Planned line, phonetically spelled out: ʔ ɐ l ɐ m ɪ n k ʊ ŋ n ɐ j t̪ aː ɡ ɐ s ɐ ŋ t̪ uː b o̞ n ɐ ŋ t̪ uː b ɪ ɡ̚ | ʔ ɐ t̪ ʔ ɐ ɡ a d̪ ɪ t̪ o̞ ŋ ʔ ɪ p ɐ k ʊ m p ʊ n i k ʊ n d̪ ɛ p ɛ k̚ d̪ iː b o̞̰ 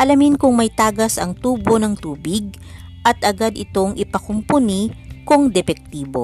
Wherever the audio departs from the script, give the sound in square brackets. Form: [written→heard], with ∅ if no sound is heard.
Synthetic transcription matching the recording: ʔ ɐ l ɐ m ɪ n k ʊ ŋ [n→m] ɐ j t̪ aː ɡ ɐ s ɐ ŋ t̪ uː b o̞ n ɐ ŋ t̪ uː b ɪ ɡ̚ | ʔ ɐ t̪ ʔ ɐ ɡ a d̪ ɪ t̪ o̞ ŋ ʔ ɪ p ɐ k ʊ m p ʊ n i k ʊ [n→ŋ] d̪ ɛ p ɛ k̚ [d̪→t̪] iː b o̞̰